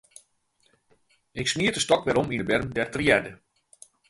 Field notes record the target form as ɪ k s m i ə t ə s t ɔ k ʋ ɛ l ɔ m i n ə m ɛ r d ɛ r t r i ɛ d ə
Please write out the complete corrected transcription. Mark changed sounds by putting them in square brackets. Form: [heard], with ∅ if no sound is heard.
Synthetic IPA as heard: ɪ k s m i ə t ə s t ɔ k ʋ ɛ [ɾ] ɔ m i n ə [b] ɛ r d ɛ r t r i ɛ d ə